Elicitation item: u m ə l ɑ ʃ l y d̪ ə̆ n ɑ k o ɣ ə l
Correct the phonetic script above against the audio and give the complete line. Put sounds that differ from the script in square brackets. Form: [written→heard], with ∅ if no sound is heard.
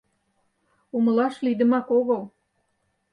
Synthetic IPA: u m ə l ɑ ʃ l [y→i] d̪ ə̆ [n→m] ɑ k o ɣ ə l